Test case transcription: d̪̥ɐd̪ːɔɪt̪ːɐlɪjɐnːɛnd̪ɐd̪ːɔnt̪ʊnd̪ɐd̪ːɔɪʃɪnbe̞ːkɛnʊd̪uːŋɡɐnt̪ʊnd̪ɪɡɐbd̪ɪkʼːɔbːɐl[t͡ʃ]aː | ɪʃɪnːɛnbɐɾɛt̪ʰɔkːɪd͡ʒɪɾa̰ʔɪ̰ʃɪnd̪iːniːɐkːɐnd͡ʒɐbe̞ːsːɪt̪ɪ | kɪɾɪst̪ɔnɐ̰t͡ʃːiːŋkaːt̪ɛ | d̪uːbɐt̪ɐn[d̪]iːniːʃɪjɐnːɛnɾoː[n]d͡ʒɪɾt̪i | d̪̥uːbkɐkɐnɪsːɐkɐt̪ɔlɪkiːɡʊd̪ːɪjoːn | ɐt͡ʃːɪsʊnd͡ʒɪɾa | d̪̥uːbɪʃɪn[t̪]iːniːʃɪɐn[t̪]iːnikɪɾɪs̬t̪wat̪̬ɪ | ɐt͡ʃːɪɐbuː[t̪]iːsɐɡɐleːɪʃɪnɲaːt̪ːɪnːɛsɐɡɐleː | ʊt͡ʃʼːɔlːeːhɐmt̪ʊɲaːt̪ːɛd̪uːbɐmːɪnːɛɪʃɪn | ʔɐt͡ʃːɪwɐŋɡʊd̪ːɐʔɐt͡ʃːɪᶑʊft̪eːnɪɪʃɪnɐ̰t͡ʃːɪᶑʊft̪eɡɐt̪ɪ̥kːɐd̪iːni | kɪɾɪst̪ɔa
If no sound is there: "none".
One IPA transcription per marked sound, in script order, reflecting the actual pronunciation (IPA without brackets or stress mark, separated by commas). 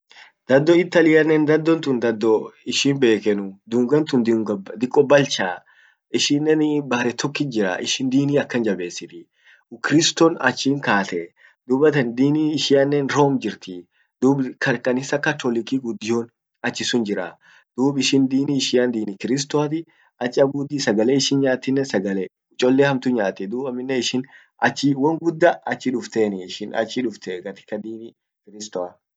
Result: t͡ʃ, d̪, m, d̪, d̪, d̪